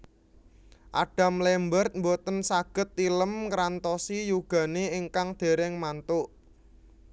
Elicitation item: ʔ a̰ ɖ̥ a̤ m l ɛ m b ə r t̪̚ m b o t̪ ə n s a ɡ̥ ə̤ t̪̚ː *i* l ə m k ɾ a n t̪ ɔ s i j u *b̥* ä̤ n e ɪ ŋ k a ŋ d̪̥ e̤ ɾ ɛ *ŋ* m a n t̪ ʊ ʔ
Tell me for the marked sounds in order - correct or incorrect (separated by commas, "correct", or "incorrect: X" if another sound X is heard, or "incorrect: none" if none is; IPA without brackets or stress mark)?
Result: correct, incorrect: ɡ̥, correct